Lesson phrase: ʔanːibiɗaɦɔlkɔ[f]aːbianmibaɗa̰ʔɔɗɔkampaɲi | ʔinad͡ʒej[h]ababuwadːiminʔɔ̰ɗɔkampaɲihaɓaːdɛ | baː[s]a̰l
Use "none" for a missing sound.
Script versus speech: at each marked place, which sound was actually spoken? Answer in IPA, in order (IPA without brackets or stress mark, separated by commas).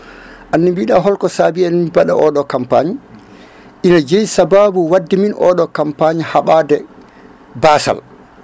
s, s, s